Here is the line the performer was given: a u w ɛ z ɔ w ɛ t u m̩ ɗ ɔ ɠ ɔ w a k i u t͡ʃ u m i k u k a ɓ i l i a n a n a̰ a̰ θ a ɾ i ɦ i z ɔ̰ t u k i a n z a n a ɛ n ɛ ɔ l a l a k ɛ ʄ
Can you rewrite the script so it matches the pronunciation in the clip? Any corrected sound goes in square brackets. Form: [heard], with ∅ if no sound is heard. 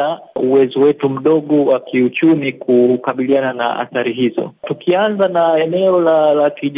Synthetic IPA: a u w ɛ z ɔ w ɛ t u m̩ ɗ ɔ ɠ ɔ w a k i u t͡ʃ u m i k u k a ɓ i l i a n a n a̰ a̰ θ a ɾ i ɦ i z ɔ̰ t u k i a n z a n a ɛ n ɛ ɔ l a l a k [i] ʄ